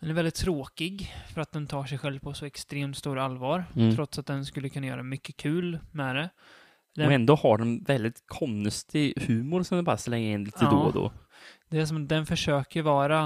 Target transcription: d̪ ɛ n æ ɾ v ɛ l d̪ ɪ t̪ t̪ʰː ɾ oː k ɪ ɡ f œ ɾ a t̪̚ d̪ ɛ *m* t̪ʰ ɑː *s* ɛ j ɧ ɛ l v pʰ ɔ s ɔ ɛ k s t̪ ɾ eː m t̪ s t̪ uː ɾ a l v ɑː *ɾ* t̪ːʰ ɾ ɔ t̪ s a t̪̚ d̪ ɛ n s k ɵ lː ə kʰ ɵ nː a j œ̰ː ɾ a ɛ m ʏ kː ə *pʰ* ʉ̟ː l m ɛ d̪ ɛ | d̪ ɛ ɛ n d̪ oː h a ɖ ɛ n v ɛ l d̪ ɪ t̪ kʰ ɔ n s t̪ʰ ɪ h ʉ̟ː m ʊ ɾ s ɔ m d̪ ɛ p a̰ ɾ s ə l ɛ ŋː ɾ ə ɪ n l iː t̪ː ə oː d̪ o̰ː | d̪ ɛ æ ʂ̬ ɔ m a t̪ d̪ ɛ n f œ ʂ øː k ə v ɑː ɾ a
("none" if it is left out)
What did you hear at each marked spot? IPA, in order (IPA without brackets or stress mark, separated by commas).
n, ʂ, ɾ, kʰ